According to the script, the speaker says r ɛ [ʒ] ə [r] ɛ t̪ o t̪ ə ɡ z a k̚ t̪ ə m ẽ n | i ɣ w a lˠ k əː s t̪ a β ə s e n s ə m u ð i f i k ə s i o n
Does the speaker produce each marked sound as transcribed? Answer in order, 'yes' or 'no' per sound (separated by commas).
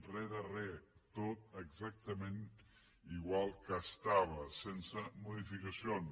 no, yes